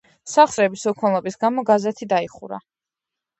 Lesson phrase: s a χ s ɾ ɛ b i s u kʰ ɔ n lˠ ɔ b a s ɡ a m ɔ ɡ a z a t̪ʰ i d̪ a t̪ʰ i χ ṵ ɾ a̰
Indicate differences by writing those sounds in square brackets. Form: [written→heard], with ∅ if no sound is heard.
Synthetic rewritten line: s a χ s ɾ ɛ b i s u kʰ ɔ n lˠ ɔ b [a→i] s ɡ a m ɔ ɡ a z [a→ɛ] t̪ʰ i d̪ a [t̪ʰ→∅] i χ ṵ ɾ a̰